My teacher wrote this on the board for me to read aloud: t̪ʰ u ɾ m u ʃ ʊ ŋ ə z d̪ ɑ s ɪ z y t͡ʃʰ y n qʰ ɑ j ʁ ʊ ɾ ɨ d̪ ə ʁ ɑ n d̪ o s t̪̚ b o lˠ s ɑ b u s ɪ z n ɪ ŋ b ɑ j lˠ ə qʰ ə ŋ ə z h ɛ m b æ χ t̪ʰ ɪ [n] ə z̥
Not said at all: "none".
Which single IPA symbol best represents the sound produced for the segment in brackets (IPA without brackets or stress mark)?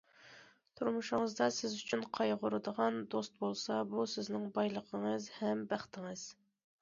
ŋ